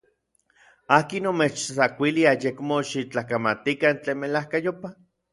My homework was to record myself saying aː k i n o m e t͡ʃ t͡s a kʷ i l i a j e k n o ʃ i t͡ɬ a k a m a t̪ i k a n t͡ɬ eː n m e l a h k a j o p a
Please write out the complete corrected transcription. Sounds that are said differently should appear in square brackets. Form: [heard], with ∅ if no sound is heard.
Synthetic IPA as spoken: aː k i n o m e t͡ʃ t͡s a kʷ i l i a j e k [m] o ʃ i t͡ɬ a k a m a t̪ i k a n t͡ɬ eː n m e l a h k a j o p a